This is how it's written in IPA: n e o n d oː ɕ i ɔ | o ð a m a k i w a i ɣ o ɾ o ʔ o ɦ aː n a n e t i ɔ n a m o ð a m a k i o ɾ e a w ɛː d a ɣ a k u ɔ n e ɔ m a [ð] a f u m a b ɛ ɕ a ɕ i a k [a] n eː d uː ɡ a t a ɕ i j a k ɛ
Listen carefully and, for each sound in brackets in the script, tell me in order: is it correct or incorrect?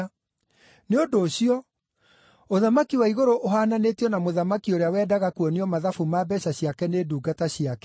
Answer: correct, incorrect

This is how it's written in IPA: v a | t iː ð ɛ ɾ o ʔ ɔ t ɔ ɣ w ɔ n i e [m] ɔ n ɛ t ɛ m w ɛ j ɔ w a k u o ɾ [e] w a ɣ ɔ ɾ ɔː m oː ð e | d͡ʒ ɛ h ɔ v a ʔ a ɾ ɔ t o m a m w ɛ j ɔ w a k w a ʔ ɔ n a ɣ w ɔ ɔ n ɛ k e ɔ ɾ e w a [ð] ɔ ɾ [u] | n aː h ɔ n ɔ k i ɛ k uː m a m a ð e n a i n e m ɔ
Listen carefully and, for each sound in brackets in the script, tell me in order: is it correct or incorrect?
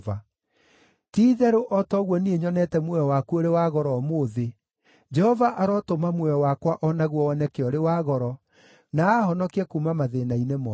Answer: incorrect, correct, incorrect, incorrect

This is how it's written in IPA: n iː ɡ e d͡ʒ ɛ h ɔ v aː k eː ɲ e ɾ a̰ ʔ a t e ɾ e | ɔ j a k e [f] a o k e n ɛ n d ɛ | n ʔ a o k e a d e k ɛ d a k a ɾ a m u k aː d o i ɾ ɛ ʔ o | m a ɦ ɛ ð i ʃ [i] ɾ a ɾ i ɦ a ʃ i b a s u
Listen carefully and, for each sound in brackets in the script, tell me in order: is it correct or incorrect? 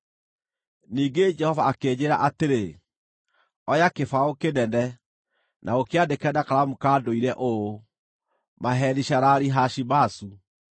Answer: correct, incorrect

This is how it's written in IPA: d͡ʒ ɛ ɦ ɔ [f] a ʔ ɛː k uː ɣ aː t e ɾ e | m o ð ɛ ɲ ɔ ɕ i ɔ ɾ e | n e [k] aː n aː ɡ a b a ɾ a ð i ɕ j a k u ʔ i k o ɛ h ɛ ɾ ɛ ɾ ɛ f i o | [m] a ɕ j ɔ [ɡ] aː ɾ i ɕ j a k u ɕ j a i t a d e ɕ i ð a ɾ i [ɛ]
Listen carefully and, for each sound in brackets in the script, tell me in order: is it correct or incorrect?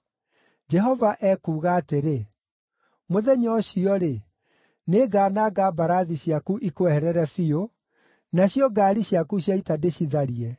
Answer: incorrect, incorrect, incorrect, correct, correct

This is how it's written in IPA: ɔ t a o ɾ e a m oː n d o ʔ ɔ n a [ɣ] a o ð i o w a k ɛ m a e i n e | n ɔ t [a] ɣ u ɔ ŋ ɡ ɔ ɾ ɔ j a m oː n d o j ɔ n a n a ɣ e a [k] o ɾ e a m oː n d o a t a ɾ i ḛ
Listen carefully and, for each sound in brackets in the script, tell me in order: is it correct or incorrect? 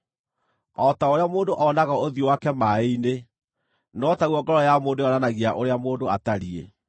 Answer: correct, correct, incorrect

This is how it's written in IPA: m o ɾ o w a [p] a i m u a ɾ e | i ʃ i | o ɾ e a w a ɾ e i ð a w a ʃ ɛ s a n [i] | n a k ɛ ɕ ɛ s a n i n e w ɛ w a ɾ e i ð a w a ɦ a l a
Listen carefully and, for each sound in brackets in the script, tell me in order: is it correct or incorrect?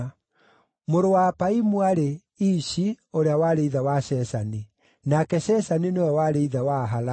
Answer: correct, correct

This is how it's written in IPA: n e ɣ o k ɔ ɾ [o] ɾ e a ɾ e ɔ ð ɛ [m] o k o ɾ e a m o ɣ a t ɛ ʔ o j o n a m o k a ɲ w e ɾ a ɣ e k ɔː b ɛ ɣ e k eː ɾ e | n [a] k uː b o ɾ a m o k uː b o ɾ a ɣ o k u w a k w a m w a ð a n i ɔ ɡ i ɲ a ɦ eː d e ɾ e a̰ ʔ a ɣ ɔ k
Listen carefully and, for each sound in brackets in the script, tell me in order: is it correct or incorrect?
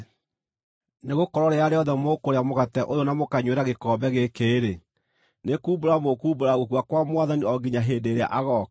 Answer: incorrect, correct, incorrect

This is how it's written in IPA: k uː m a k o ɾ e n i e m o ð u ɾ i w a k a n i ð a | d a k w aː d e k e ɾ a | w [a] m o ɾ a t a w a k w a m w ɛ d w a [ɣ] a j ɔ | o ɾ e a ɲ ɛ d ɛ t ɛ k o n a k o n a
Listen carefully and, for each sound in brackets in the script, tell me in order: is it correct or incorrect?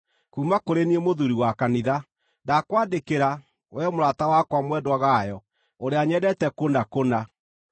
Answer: incorrect, correct

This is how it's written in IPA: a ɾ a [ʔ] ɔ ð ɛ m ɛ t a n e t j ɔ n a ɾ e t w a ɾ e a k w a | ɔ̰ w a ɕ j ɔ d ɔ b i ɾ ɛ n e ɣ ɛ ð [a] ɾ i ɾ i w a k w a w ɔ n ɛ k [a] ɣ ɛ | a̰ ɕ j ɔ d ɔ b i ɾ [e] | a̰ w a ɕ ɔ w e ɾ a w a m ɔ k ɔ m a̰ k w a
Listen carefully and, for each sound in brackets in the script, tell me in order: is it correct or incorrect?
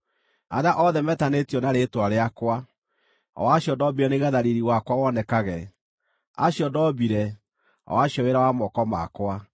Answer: correct, correct, correct, incorrect

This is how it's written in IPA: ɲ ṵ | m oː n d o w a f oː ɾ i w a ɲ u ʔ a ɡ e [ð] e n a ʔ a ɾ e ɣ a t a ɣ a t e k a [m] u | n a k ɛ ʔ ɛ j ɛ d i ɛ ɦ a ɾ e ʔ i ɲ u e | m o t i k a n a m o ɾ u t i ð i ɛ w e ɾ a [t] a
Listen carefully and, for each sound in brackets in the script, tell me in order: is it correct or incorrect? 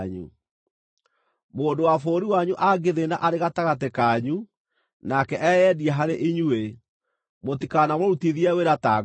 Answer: correct, incorrect, correct

